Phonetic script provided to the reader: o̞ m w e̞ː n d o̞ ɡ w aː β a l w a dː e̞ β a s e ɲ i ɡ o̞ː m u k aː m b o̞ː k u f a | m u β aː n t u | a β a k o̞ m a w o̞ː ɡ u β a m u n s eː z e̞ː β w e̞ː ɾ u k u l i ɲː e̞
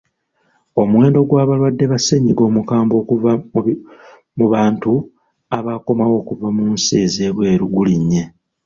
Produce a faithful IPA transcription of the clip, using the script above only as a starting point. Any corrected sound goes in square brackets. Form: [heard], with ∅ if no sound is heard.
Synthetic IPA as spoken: o̞ m w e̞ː n d o̞ ɡ w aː β a l w a dː e̞ β a s e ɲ i ɡ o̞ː m u k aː m b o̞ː k u [v] a | m u β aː n t u | a β a k o̞ m a w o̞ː [k] u [v] a m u n s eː z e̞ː β w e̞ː ɾ u [ɡ] u l i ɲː e̞